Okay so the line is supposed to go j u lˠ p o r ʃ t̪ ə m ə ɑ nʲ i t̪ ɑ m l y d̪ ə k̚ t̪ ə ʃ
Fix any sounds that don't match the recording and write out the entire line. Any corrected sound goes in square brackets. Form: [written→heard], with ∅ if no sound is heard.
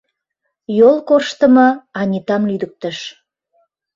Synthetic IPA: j [u→o] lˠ [p→k] o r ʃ t̪ ə m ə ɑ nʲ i t̪ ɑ m l y d̪ ə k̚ t̪ ə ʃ